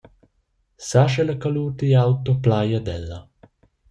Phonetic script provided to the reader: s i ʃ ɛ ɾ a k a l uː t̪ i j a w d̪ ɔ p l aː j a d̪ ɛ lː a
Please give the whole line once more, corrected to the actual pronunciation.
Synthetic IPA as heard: s a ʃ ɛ l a k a l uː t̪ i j a w t̪ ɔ p l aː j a d̪ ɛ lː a